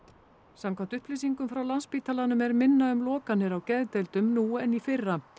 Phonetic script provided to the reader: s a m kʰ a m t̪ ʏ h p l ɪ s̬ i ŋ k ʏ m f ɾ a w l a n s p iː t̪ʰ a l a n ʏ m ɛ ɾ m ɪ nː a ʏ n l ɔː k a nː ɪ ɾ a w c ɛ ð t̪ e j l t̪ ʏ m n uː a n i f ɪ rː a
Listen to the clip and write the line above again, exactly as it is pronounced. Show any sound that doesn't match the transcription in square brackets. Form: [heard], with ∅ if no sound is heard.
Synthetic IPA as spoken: s a m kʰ a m t̪ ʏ h p l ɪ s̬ i ŋ k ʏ m f ɾ a w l a n s p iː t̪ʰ a l a n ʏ m ɛ ɾ m ɪ nː a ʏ [m] l ɔː k a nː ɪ ɾ a w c ɛ ð t̪ e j l t̪ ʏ m n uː [ɛ] n i f ɪ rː a